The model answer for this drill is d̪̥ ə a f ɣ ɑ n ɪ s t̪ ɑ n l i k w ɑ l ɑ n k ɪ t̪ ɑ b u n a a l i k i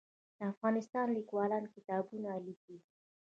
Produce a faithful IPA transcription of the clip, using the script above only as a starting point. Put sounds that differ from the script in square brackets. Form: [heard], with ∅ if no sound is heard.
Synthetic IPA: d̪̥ ə a f ɣ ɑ n ɪ s t̪ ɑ n l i k w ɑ l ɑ n k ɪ t̪ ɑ b u n a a l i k i